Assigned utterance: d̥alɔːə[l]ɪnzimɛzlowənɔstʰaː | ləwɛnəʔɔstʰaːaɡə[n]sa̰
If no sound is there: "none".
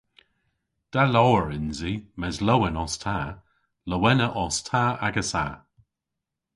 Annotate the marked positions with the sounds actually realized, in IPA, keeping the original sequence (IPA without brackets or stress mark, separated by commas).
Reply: ɹ, none